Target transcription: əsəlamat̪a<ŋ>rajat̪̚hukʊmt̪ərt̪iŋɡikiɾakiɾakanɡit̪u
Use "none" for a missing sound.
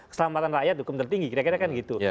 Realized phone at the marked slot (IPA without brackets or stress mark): n